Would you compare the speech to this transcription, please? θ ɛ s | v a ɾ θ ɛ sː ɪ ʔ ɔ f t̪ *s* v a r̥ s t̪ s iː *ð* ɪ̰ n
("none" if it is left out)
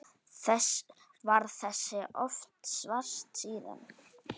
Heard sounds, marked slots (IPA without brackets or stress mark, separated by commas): s, ð